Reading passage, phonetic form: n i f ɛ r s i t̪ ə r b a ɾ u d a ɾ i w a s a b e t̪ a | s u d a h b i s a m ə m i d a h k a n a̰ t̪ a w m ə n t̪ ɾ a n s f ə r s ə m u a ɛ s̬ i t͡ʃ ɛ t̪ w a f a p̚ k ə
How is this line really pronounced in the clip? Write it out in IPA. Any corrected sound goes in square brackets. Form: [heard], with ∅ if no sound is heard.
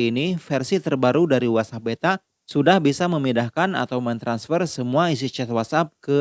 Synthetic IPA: n i f ɛ r s i t̪ ə r b a ɾ u d a ɾ i w a s a b e t̪ a | s u d a h b i s a m ə m i d a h k a n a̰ t̪ a w m ə n t̪ ɾ a n s f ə r s ə m u a [i] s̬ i t͡ʃ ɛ t̪ w a [s] a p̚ k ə

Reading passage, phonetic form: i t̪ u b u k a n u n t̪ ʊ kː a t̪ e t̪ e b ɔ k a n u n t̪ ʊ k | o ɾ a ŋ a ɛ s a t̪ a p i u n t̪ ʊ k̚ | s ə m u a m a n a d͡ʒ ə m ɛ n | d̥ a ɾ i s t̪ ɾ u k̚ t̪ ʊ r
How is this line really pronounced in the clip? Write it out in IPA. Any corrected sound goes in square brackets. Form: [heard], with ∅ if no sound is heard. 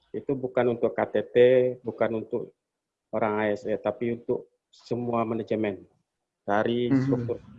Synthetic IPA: i t̪ u b u k a n u n t̪ ʊ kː a t̪ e t̪ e b [u] k a n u n t̪ ʊ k | o ɾ a ŋ a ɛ s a t̪ a p i u n t̪ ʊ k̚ | s ə m u a m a n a d͡ʒ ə m ɛ n | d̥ a ɾ i s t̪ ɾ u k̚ t̪ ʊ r

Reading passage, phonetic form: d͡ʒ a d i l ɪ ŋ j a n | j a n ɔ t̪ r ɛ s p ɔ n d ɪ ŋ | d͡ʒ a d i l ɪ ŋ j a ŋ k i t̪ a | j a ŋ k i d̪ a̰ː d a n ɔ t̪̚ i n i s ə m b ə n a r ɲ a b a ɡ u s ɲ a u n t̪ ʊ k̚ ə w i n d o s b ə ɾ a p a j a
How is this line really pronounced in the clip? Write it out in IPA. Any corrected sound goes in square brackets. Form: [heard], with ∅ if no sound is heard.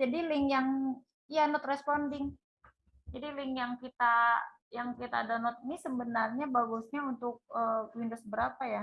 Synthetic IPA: d͡ʒ a d i l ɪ ŋ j a [ŋ] | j a n ɔ t̪ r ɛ s p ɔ n d ɪ ŋ | d͡ʒ a d i l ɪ ŋ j a ŋ k i t̪ a | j a ŋ k i [t̪] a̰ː d a n ɔ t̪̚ i n i s ə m b ə n a r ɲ a b a ɡ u s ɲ a u n t̪ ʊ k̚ ə w i n d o s b ə ɾ a p a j a

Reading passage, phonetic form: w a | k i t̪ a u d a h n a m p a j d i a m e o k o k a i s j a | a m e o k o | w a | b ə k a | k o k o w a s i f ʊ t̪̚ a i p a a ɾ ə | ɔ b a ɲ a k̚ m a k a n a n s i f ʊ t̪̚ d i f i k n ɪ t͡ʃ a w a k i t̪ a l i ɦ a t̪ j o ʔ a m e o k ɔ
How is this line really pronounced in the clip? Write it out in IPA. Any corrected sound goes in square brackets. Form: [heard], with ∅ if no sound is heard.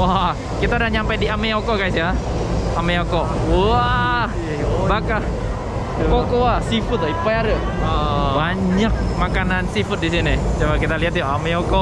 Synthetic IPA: w a | k i t̪ a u d a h [ɲ] a m p a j d i a m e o k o k a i s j a | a m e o k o | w a | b [a] k a | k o k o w a s i f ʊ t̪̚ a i p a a ɾ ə | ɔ b a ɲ a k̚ m a k a n a n s i f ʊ t̪̚ d i [s] i [∅] n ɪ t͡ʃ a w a k i t̪ a l i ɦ a t̪ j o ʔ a m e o k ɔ

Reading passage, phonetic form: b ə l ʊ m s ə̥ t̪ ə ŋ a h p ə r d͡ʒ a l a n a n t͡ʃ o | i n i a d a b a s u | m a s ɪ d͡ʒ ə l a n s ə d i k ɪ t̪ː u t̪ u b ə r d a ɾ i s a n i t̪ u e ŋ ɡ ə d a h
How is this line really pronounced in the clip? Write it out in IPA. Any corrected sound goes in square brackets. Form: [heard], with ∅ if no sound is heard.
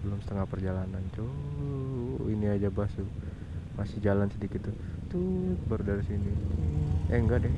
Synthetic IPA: b ə l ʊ m s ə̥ t̪ ə ŋ a h p ə r d͡ʒ a l a n a n t͡ʃ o | i n i a [d͡ʒ] a b a s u | m a s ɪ d͡ʒ [a] l a n s ə d i k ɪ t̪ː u t̪ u b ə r d a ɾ i s [i] n i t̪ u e ŋ ɡ [a] d [ɛ] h

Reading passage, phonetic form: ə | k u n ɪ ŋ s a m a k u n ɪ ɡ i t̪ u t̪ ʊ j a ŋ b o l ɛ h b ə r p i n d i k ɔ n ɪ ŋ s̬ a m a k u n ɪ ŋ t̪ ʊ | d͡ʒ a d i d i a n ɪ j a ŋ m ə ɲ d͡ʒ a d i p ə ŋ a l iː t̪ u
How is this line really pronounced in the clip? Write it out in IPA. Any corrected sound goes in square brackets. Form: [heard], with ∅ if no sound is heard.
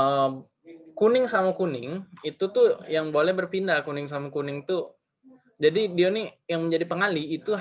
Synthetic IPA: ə | k u n ɪ ŋ s a m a k u n ɪ [ŋ] i t̪ u t̪ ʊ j a ŋ b o l ɛ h b ə r p i n d [a] k [u] n ɪ ŋ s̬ a m a k u n ɪ ŋ t̪ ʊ | d͡ʒ a d i d i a n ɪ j a ŋ m ə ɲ d͡ʒ a d i p ə ŋ a l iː t̪ u

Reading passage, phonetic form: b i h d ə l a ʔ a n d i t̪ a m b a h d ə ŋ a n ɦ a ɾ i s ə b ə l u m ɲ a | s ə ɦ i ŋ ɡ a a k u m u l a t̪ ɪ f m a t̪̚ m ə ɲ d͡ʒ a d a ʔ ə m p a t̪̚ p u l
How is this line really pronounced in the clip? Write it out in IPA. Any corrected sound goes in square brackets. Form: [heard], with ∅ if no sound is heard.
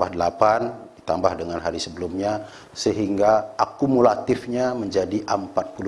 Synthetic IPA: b [a] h d ə l a [p] a n d i t̪ a m b a h d ə ŋ a n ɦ a ɾ i s ə b ə l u m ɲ a | s ə ɦ i ŋ ɡ a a k u m u l a t̪ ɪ f [ɲ] a [∅] m ə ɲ d͡ʒ a d [i] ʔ ə m p a t̪̚ p u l

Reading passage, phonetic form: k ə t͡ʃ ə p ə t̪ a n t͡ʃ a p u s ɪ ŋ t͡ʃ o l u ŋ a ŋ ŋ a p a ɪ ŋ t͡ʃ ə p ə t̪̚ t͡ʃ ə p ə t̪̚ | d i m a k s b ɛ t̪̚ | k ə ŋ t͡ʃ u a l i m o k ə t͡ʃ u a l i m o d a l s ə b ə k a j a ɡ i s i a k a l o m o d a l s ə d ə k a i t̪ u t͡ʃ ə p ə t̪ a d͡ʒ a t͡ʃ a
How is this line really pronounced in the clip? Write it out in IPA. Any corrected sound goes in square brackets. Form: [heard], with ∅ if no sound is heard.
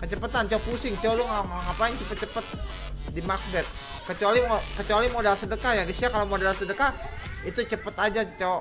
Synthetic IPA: k ə t͡ʃ ə p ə t̪ a n t͡ʃ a p u s ɪ ŋ t͡ʃ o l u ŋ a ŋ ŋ a p a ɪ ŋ t͡ʃ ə p ə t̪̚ t͡ʃ ə p ə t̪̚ | d i m a k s b ɛ t̪̚ | k ə [∅] t͡ʃ u a l i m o k ə t͡ʃ u a l i m o d a l s ə [d] ə k a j a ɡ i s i a k a l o m o d a l s ə d ə k a i t̪ u t͡ʃ ə p ə t̪ a d͡ʒ a t͡ʃ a

